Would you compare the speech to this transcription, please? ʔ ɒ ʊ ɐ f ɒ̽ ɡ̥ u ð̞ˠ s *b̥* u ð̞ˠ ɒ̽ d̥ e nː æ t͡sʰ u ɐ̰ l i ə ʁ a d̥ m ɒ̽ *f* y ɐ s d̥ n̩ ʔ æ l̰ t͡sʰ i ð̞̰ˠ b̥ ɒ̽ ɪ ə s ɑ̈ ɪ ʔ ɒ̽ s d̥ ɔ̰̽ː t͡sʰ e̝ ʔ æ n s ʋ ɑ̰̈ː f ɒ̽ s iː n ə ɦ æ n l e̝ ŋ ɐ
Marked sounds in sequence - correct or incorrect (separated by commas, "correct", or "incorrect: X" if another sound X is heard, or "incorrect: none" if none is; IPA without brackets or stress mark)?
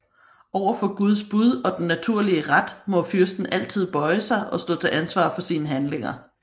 correct, correct